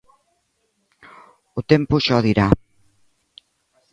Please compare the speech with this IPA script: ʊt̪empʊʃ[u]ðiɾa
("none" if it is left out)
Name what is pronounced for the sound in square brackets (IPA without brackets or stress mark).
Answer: ɔ